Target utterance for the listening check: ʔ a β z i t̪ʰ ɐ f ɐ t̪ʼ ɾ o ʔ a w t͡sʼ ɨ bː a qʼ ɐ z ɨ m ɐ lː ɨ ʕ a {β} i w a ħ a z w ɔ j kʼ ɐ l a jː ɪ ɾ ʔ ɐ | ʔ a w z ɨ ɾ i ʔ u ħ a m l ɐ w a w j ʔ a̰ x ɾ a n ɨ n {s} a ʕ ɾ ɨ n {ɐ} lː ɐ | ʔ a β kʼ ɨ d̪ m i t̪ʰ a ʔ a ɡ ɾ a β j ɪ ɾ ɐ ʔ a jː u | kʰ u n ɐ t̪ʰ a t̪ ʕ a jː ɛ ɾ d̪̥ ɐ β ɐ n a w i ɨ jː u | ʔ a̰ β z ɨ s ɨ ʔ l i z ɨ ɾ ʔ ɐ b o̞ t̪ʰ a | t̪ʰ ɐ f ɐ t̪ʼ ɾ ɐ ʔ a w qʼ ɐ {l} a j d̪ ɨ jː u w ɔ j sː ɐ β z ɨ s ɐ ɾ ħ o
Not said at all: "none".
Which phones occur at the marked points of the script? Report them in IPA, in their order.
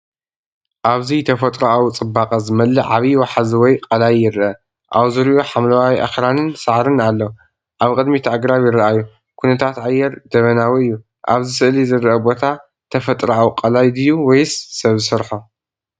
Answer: β, s, a, l

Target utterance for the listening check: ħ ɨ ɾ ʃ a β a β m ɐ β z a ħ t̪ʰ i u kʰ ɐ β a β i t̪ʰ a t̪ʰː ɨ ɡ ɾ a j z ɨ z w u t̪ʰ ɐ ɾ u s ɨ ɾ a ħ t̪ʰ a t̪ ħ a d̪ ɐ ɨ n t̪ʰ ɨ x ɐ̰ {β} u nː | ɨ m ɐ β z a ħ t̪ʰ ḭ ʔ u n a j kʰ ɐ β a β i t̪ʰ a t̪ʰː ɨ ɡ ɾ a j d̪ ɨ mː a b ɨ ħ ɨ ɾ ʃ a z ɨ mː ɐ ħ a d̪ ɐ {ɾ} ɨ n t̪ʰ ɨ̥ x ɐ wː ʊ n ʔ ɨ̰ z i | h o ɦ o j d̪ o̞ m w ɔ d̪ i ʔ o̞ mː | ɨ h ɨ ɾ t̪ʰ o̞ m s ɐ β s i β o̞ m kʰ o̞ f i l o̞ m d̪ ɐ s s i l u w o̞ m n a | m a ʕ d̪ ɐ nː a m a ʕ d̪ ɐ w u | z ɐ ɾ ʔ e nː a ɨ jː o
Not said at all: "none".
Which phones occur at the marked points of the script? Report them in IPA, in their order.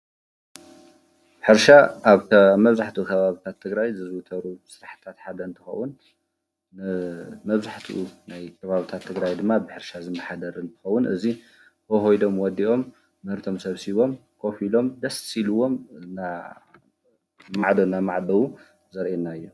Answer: w, ɾ

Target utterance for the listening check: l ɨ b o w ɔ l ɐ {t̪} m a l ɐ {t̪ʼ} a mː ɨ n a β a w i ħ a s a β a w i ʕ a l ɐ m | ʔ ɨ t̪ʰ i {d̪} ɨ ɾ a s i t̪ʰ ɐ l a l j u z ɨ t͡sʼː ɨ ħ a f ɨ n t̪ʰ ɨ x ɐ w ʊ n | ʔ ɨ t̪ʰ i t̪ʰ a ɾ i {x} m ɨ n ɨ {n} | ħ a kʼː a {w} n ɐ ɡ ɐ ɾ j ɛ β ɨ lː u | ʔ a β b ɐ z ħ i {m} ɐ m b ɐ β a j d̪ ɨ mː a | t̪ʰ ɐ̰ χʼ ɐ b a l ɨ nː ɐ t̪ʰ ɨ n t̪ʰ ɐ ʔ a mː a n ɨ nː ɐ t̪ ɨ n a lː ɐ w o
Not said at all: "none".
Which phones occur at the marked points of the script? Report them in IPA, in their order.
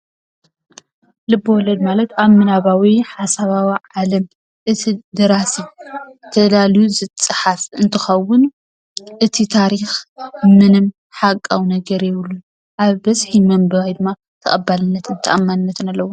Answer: d̪, t̪, d̪, x, m, w, m

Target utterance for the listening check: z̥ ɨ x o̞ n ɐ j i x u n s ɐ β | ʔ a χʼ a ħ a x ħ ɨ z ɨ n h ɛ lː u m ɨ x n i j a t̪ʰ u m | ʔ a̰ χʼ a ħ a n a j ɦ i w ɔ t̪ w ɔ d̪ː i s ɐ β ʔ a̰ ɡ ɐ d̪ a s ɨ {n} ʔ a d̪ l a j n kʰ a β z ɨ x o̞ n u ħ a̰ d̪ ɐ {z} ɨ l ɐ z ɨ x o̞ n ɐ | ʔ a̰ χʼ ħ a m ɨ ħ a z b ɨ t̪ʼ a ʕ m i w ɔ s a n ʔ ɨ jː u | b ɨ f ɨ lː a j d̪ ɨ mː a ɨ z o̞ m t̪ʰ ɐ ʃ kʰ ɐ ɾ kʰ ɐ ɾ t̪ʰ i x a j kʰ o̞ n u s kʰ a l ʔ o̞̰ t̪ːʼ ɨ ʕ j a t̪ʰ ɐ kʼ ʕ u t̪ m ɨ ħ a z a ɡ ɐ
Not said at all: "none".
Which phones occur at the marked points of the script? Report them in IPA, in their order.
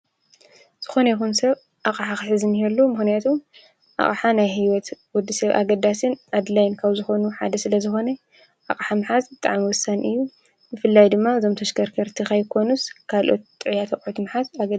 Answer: n, s

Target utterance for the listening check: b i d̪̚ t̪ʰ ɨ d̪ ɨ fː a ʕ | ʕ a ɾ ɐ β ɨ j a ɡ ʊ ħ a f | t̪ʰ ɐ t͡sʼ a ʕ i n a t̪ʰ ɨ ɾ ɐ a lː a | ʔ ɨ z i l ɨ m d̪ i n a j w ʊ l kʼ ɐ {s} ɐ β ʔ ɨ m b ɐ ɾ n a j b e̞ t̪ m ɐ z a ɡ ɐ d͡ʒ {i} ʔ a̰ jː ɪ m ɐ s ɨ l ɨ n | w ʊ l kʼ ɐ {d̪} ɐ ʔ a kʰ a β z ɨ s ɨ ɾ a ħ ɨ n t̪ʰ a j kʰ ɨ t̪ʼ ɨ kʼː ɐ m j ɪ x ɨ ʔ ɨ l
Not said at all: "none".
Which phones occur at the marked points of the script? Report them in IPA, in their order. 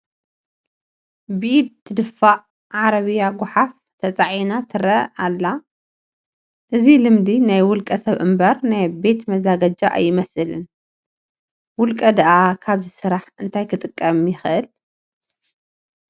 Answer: s, a, d̪

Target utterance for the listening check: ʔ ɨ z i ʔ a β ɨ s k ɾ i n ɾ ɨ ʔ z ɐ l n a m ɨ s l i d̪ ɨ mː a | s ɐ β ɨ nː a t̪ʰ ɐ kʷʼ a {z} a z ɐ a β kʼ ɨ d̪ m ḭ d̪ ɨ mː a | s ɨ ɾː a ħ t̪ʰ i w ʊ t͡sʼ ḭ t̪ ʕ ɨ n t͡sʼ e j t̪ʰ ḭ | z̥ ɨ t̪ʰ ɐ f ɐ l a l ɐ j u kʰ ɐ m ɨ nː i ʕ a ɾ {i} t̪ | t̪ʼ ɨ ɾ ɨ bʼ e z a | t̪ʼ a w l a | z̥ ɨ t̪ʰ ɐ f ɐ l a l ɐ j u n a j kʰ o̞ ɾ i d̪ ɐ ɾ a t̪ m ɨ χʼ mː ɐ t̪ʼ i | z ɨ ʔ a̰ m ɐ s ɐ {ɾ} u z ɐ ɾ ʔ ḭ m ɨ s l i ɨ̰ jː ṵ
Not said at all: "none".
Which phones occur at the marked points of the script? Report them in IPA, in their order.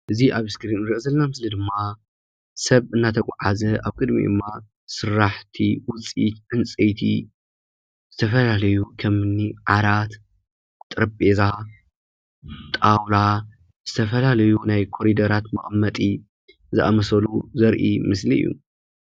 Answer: ʕ, a, l

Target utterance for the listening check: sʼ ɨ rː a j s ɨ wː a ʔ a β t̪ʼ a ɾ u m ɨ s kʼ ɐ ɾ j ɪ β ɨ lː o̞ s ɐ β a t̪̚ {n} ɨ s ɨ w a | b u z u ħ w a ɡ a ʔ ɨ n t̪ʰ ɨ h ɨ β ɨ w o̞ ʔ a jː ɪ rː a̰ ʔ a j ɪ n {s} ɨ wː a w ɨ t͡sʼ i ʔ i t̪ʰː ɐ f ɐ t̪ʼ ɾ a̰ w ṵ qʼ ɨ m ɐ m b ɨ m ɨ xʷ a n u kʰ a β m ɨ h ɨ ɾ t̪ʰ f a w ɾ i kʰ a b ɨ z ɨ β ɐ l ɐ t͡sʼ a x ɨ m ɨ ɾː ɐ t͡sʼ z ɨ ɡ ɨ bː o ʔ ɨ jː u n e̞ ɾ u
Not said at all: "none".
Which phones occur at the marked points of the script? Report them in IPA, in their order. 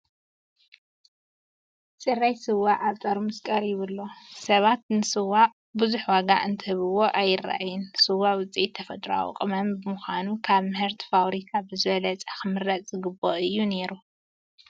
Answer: n, s

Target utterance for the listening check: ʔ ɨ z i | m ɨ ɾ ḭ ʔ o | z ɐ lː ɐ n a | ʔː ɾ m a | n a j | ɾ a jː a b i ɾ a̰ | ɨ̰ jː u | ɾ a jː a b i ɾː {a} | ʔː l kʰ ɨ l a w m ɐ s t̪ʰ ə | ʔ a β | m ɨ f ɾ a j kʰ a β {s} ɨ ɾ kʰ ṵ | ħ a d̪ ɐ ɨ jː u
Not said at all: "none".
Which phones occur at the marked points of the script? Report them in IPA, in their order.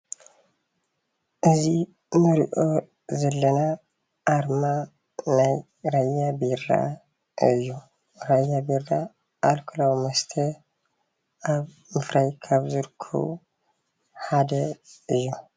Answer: a, z

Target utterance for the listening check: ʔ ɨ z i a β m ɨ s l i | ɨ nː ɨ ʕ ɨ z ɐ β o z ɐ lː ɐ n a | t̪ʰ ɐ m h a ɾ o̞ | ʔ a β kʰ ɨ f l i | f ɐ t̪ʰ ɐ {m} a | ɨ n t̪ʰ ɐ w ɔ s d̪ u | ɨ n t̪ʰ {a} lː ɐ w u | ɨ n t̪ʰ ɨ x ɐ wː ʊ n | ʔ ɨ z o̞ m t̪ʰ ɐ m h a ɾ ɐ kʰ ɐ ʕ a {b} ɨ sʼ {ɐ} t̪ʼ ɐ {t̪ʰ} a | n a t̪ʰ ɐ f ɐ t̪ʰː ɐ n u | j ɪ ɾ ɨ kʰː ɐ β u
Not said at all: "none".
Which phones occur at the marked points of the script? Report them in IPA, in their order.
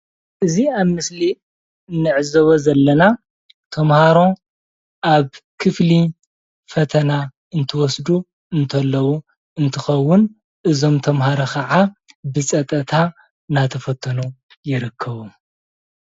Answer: n, ɐ, b, ɐ, t̪ʰ

